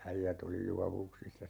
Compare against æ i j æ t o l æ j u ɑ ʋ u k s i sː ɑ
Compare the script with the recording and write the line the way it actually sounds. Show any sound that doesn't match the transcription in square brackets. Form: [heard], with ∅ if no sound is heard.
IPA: æ i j æ t o l [i] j u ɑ ʋ u k s i sː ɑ